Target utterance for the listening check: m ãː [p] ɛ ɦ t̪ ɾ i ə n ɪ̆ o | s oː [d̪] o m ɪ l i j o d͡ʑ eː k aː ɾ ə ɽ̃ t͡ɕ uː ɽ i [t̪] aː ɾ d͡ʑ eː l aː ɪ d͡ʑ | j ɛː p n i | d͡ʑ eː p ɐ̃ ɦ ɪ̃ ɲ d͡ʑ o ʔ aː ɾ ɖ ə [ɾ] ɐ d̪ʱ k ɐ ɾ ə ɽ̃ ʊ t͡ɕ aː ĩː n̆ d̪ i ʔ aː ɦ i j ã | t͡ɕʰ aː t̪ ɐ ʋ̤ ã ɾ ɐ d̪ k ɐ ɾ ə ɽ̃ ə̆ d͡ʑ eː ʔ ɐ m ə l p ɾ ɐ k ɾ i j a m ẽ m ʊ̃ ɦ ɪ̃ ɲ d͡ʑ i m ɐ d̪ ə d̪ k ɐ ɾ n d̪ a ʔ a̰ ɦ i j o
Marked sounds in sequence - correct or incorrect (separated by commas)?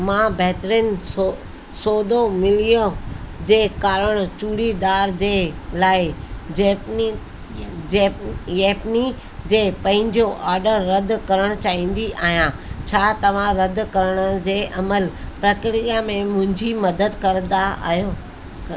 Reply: incorrect, correct, incorrect, incorrect